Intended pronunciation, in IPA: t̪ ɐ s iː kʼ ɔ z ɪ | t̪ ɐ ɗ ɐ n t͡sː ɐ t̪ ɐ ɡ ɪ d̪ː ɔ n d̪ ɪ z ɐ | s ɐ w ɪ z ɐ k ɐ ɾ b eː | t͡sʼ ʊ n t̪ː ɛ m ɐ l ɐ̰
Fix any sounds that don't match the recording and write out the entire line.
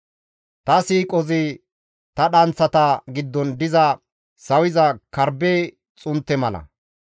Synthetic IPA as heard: t̪ ɐ s iː kʼ ɔ z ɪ | t̪ ɐ ɗ ɐ n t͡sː ɐ t̪ ɐ ɡ ɪ d̪ː ɔ n d̪ ɪ z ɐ | s ɐ w ɪ z ɐ k ɐ ɾ b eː | t͡sʼ ʊ n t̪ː ɛ m ɐ l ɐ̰